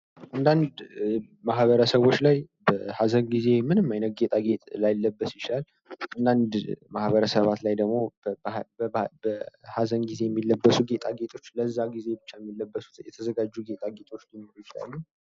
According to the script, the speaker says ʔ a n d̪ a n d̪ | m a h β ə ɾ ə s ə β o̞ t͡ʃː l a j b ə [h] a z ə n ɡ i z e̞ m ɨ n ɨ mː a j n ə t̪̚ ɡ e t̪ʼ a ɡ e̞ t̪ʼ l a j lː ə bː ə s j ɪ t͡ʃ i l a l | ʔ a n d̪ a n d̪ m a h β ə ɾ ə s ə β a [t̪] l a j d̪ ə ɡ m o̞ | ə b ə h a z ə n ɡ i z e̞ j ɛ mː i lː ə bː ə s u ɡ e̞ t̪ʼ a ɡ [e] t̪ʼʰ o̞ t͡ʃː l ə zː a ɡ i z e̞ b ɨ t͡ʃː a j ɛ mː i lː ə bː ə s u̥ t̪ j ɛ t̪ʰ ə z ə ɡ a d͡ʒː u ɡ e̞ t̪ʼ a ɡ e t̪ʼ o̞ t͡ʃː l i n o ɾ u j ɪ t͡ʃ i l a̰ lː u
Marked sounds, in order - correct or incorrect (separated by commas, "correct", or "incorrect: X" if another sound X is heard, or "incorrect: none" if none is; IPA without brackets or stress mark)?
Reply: correct, correct, correct